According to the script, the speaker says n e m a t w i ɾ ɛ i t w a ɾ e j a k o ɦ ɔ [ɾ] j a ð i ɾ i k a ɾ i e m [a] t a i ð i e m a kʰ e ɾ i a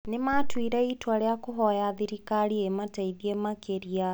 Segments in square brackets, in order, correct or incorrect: incorrect, correct

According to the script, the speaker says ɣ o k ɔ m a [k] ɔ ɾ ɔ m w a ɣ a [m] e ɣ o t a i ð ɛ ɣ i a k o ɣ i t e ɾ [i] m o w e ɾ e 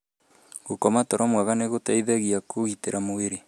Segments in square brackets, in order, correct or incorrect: incorrect, incorrect, incorrect

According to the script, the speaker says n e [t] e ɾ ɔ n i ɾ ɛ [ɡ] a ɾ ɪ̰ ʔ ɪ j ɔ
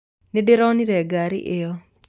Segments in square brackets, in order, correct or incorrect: incorrect, correct

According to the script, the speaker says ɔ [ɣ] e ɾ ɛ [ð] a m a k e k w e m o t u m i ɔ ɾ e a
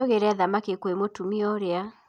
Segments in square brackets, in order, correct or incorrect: correct, correct

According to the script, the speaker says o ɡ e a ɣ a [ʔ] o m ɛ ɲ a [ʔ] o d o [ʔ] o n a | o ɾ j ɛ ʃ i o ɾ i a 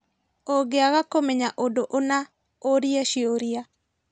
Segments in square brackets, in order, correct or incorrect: incorrect, correct, correct

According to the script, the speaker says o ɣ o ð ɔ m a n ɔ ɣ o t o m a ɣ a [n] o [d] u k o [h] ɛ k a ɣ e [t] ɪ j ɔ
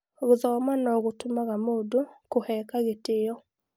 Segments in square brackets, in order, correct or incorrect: incorrect, correct, correct, correct

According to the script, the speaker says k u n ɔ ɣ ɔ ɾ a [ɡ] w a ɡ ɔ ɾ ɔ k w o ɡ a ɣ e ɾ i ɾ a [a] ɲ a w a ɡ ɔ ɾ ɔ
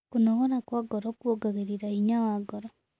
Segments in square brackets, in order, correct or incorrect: incorrect, incorrect

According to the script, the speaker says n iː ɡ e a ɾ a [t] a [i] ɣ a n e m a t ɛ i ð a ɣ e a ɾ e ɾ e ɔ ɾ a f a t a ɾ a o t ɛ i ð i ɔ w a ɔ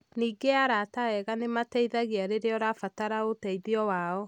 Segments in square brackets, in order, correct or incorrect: correct, incorrect

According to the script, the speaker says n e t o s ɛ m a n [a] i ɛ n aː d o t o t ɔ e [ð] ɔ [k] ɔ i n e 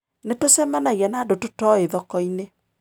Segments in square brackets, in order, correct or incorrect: correct, correct, correct

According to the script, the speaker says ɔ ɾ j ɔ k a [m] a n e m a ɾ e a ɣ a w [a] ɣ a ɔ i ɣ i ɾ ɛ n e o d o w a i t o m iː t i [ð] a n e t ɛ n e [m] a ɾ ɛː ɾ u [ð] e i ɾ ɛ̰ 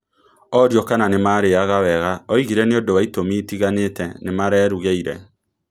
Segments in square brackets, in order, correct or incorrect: incorrect, incorrect, incorrect, correct, incorrect

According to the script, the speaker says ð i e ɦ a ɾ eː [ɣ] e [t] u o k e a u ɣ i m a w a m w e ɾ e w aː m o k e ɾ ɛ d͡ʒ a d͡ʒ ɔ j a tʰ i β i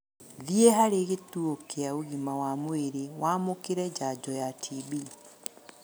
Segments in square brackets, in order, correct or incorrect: correct, correct

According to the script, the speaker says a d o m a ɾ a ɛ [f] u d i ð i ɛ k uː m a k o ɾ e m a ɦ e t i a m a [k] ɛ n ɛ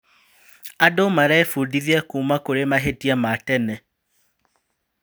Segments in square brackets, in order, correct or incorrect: correct, incorrect

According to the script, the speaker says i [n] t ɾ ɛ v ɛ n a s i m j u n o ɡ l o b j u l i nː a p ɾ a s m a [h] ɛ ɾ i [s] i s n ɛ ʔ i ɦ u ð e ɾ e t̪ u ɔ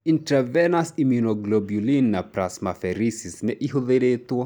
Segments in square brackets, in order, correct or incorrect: correct, incorrect, correct

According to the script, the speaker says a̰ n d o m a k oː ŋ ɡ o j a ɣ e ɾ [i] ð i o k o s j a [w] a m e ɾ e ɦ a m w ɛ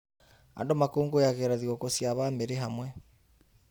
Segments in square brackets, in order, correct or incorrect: incorrect, incorrect

